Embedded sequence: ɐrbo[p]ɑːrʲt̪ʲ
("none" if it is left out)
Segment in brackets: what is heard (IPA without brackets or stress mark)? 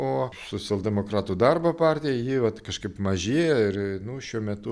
p